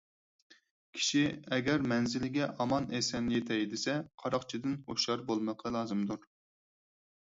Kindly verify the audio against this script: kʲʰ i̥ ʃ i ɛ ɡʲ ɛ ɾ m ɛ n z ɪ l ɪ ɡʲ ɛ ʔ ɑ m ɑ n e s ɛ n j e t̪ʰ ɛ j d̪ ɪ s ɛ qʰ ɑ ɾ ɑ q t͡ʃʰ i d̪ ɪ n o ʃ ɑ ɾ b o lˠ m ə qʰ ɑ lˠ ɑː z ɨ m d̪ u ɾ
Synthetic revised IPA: kʲʰ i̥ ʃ i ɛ ɡʲ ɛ ɾ m ɛ n z ɪ l ɪ ɡʲ ɛ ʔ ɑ m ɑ n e s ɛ n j e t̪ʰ ɛ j d̪ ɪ s ɛ qʰ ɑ ɾ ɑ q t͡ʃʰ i d̪ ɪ n o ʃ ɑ ɾ b o lˠ m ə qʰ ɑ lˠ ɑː z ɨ m d̪ u ɾ